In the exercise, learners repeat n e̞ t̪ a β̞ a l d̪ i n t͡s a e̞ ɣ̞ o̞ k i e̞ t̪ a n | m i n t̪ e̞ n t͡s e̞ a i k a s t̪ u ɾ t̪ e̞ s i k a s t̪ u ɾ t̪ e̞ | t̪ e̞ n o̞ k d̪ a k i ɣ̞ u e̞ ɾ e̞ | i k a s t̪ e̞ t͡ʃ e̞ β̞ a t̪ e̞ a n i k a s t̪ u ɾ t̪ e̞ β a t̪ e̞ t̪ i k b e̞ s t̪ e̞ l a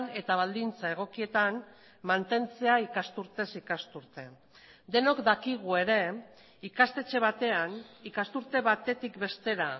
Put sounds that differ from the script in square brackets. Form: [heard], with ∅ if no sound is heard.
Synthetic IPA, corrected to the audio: n e̞ t̪ a β̞ a l d̪ i n t͡s a e̞ ɣ̞ o̞ k i e̞ t̪ a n | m [a] n t̪ e̞ n t͡s e̞ a i k a s t̪ u ɾ t̪ e̞ s i k a s t̪ u ɾ t̪ e̞ | [d̪] e̞ n o̞ k d̪ a k i ɣ̞ u e̞ ɾ e̞ | i k a s t̪ e̞ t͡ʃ e̞ β̞ a t̪ e̞ a n i k a s t̪ u ɾ t̪ e̞ β a t̪ e̞ t̪ i k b e̞ s t̪ e̞ [ɾ] a